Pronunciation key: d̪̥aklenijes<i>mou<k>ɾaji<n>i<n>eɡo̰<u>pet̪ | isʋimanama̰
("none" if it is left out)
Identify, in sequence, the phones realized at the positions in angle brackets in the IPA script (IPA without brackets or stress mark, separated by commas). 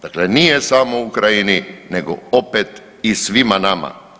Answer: a, k, n, n, o